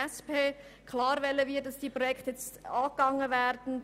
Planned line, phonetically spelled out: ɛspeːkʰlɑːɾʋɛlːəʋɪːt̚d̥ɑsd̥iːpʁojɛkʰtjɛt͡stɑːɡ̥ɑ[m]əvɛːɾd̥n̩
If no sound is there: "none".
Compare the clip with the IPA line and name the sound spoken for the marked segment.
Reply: ŋ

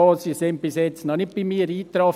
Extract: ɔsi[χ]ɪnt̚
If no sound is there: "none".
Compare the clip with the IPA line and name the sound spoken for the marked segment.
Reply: s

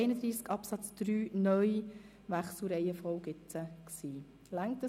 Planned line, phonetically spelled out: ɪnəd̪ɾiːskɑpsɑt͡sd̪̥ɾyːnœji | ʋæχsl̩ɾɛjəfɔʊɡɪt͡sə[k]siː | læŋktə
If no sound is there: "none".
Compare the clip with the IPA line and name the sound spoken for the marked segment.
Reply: k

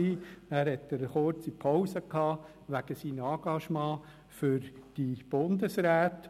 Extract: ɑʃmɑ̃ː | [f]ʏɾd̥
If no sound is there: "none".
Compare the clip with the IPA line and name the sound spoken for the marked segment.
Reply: f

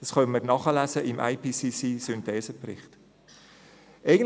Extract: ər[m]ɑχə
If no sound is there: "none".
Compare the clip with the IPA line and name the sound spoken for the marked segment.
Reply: n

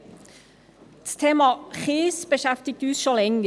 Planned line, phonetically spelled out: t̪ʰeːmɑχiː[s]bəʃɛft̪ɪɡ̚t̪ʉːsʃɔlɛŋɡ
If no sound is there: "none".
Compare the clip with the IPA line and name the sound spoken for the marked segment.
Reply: s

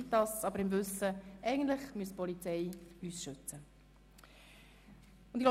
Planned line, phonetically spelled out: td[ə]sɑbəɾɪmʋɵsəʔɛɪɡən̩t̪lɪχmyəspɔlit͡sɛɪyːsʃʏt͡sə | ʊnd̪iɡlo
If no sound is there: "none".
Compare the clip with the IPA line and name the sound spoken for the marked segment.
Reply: ɑ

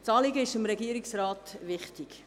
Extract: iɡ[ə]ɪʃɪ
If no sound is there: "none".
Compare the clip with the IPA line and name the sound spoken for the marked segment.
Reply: ə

